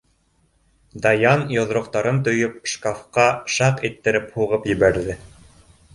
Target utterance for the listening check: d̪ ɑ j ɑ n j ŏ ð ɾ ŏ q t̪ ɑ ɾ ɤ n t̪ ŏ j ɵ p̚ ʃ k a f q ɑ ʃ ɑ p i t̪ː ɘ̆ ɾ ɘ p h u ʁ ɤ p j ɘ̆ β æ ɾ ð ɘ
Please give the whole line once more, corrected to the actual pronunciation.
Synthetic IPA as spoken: d̪ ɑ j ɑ n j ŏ ð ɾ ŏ q t̪ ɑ ɾ ɤ n t̪ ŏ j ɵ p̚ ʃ k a f q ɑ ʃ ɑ q i t̪ː ɘ̆ ɾ ɘ p h u ʁ ɤ p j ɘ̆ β æ ɾ ð ɘ